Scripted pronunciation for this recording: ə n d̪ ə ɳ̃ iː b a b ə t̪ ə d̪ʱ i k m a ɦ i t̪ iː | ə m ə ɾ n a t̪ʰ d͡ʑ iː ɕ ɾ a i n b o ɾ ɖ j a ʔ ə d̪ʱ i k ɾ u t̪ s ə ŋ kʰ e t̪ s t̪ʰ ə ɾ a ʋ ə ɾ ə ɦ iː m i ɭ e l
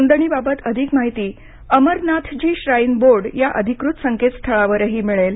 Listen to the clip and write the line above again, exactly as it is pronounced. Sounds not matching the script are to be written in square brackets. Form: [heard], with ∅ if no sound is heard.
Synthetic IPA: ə n d̪ ə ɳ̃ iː b a b ə t̪ ə d̪ʱ i k m a ɦ i t̪ iː | ə m ə ɾ n a t̪ʰ d͡ʑ iː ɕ ɾ a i n b o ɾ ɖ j a ʔ ə d̪ʱ i k ɾ u t̪ s ə ŋ [k] e t̪ s t̪ʰ ə [ɭ] a ʋ ə ɾ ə ɦ iː m i ɭ e l